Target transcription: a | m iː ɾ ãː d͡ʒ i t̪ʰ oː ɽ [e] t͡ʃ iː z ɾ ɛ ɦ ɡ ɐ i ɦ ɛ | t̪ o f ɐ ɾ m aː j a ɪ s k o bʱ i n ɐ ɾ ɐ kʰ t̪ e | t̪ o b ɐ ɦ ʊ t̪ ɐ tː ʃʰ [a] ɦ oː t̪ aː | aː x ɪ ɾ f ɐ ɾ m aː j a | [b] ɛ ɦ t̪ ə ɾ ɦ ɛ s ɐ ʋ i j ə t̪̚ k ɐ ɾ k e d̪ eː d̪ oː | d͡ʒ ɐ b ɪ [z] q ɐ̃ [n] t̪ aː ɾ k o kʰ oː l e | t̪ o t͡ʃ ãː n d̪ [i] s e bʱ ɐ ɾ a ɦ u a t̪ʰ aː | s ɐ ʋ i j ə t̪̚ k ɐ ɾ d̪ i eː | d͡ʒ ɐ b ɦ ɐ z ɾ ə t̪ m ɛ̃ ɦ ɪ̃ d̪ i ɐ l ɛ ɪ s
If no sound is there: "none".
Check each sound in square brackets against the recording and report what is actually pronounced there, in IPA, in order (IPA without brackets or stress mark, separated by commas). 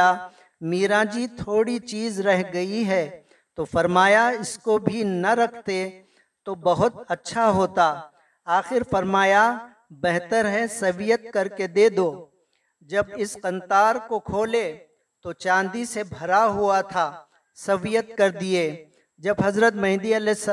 i, a, b, s, n, i